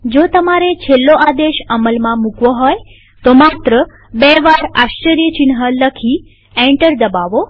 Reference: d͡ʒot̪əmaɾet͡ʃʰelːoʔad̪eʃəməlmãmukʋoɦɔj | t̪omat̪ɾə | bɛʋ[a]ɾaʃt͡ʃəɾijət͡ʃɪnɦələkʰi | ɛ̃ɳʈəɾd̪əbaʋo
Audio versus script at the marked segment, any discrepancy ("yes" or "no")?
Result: no